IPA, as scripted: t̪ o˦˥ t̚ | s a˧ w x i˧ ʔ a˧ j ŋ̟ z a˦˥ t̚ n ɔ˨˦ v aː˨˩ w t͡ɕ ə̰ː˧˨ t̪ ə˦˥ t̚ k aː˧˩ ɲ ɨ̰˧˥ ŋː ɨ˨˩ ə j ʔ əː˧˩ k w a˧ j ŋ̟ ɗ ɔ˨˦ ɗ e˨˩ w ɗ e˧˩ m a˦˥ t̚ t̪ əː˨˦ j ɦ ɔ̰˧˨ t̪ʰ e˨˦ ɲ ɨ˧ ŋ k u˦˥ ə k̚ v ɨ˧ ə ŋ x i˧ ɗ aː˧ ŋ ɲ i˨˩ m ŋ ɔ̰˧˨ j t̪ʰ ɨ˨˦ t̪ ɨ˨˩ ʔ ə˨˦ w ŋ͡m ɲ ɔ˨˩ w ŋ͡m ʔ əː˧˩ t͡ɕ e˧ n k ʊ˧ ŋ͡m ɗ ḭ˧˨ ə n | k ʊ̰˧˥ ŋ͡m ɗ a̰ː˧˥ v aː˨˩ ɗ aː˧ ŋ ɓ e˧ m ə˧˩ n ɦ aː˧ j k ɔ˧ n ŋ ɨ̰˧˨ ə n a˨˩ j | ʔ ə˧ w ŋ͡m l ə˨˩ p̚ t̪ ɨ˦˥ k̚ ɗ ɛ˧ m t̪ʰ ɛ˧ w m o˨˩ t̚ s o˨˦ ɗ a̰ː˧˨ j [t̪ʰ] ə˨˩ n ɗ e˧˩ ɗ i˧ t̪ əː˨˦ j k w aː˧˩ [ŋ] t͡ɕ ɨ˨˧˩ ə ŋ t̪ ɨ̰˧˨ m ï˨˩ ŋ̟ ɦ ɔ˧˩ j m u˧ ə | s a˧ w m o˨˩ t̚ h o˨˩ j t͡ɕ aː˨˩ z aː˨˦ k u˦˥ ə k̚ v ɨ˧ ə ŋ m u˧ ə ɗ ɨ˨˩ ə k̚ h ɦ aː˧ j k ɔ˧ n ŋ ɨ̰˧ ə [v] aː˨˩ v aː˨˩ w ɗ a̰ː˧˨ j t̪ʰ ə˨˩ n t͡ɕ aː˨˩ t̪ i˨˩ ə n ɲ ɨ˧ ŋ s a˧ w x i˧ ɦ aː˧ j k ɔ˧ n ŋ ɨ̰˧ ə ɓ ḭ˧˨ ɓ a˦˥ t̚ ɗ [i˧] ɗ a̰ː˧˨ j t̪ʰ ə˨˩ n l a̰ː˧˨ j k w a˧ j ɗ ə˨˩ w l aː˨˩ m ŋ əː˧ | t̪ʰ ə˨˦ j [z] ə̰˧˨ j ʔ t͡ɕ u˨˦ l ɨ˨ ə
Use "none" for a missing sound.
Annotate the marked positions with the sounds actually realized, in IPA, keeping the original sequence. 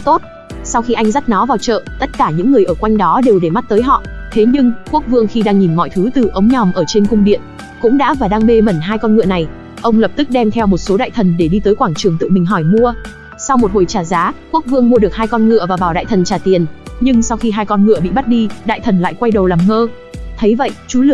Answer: t̪ʰ, ŋ, v, i˧, v

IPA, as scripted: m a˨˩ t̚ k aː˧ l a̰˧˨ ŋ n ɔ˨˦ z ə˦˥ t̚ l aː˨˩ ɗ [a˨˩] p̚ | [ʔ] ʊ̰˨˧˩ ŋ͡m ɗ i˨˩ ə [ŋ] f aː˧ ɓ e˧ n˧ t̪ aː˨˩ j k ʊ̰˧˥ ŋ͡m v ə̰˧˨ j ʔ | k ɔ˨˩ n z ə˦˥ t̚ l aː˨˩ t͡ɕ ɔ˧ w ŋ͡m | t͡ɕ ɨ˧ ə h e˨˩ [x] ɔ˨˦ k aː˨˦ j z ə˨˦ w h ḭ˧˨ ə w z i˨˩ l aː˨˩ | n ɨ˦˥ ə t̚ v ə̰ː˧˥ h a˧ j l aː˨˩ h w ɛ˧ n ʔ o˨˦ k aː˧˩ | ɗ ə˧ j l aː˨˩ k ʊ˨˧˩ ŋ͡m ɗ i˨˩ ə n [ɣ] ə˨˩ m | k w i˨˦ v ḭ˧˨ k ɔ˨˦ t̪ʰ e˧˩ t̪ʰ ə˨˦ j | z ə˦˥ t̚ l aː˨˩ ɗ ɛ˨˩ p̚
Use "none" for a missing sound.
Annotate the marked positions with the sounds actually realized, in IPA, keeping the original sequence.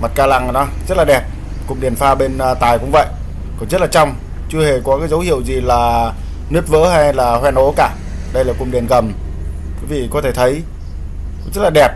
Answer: ɛ˨˩, k, n, k, ɣ

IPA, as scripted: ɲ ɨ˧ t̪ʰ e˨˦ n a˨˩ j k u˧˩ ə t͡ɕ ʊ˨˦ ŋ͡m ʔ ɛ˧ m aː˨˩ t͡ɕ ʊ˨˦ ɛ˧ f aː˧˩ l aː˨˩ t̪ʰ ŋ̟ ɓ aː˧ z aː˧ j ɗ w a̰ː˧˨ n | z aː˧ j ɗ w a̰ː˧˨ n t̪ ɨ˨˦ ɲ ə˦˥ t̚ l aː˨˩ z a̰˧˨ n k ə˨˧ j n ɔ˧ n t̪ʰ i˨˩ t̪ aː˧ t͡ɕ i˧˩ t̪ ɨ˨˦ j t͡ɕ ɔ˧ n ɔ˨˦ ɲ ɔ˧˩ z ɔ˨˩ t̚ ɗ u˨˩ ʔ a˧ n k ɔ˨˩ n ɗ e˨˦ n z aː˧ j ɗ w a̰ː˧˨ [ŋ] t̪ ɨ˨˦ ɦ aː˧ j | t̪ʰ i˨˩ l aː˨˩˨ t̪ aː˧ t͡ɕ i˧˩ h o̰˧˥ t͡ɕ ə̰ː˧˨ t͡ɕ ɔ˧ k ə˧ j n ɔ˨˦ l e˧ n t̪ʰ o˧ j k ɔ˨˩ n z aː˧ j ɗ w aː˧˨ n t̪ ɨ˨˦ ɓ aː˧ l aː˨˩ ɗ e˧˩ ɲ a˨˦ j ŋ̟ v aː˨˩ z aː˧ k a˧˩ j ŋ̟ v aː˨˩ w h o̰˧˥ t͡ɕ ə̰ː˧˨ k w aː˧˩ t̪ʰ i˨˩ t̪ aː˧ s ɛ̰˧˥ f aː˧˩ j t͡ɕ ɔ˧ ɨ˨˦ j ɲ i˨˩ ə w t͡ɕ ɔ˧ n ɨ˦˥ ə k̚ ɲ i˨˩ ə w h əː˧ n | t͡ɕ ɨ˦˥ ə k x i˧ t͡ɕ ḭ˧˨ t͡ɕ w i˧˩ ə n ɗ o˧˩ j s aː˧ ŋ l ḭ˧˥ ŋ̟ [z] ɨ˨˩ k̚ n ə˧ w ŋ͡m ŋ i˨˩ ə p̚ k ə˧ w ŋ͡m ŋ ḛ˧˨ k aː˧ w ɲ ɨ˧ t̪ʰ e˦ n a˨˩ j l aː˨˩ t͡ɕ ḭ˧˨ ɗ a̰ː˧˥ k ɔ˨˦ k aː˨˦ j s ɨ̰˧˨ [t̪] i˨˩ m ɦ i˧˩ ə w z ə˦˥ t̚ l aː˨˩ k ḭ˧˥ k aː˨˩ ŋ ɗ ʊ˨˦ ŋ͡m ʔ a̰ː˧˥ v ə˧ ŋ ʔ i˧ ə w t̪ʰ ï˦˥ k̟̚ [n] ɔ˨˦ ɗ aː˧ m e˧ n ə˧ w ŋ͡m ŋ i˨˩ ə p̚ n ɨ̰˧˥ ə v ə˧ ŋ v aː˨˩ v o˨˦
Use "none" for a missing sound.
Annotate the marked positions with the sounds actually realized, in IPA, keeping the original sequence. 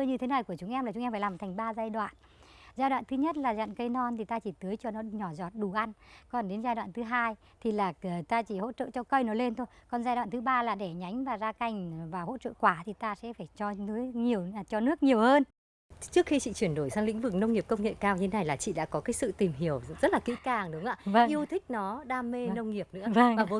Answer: n, v, t̪, n

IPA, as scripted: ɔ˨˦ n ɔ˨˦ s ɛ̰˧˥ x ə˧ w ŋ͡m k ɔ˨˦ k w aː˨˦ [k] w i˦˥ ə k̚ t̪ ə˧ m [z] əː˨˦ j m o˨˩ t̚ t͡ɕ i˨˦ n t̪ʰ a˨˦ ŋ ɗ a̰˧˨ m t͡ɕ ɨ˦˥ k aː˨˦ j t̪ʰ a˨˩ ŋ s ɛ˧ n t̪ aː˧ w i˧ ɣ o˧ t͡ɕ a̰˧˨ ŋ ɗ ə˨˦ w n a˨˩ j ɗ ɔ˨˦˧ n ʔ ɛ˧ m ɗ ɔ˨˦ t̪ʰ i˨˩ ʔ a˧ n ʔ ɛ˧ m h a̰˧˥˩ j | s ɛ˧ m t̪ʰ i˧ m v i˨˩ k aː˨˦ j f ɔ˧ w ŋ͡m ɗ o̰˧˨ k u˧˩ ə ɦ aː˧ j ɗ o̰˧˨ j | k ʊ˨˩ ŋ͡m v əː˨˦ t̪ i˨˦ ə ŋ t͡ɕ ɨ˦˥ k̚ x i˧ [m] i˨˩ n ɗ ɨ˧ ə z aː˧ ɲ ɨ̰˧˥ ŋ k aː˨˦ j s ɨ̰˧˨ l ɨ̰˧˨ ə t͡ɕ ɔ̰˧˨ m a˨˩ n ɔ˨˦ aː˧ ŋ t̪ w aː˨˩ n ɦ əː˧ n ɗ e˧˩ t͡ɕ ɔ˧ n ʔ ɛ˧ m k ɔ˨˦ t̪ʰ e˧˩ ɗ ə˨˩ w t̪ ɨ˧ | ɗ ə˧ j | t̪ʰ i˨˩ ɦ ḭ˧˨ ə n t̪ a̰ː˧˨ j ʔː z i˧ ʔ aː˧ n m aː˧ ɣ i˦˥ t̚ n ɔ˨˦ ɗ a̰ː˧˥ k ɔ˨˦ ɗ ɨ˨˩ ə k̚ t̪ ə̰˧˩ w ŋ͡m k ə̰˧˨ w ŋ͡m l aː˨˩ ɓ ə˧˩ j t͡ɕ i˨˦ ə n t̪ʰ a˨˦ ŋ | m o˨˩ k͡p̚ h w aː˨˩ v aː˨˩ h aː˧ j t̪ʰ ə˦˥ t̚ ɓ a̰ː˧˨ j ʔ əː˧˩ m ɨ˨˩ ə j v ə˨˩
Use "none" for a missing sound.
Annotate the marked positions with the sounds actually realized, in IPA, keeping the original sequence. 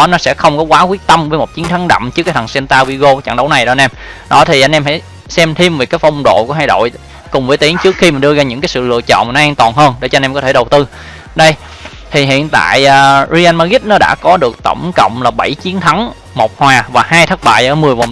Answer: k, v, m

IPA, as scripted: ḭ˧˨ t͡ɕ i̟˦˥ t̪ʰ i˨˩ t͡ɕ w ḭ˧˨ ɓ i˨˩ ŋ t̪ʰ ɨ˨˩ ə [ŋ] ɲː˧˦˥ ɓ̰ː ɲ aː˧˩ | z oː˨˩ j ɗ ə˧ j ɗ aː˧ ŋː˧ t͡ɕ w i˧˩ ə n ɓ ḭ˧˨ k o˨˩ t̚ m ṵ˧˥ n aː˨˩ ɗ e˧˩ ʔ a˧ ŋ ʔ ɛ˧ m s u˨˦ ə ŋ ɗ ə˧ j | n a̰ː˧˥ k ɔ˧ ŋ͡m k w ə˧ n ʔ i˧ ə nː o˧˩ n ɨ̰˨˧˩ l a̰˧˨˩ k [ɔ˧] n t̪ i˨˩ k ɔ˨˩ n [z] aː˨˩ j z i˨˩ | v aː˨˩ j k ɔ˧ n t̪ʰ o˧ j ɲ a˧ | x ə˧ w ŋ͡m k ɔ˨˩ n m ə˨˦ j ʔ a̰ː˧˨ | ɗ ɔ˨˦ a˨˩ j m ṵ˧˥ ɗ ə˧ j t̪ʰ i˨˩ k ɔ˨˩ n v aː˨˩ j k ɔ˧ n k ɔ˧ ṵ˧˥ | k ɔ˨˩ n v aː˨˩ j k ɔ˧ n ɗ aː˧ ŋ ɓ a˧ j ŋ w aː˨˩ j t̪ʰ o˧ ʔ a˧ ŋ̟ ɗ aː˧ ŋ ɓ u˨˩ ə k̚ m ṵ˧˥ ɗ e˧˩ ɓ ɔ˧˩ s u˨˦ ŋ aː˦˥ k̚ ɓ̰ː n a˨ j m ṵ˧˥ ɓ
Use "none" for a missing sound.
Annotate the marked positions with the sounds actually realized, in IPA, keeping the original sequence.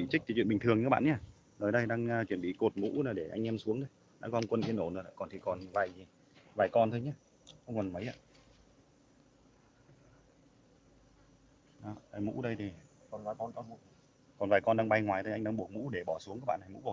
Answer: ŋ, ɔ˨˩, v

